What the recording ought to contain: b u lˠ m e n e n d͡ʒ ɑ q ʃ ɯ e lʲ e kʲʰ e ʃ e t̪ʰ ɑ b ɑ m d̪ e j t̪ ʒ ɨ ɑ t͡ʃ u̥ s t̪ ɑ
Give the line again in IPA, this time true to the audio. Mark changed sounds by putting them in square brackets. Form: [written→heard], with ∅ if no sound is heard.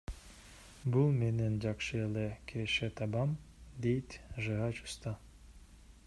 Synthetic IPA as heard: b u lˠ m e n e n d͡ʒ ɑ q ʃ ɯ e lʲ e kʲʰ e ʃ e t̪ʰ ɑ b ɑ m d̪ e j t̪ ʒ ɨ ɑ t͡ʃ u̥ s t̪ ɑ